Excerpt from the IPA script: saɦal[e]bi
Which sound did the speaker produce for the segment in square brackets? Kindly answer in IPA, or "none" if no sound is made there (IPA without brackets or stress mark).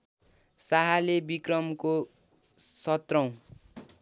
e